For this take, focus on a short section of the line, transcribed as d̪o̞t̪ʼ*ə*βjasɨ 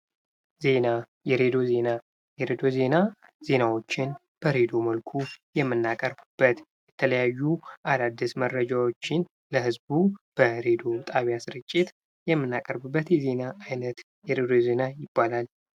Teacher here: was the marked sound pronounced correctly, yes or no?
no